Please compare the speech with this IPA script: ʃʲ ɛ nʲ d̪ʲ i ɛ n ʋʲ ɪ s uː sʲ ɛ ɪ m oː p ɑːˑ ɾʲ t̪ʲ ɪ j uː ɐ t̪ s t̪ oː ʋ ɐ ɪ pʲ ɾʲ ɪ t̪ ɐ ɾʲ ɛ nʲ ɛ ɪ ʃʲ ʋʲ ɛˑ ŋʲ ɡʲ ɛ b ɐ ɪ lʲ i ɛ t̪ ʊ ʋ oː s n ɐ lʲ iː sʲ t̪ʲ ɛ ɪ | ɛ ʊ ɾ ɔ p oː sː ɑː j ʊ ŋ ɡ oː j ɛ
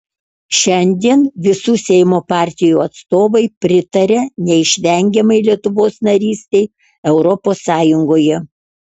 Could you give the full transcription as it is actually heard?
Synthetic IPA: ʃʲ ɛ nʲ d̪ʲ i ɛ n ʋʲ ɪ s uː sʲ ɛ ɪ m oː p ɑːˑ ɾʲ t̪ʲ ɪ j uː ɐ t̪ s t̪ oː ʋ ɐ ɪ pʲ ɾʲ ɪ t̪ ɐ ɾʲ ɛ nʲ ɛ ɪ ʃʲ ʋʲ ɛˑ ŋʲ ɡʲ ɛ m ɐ ɪ lʲ i ɛ t̪ ʊ ʋ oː s n ɐ ɾʲ iː sʲ t̪ʲ ɛ ɪ | ɛ ʊ ɾ ɔ p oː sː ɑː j ʊ ŋ ɡ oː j ɛ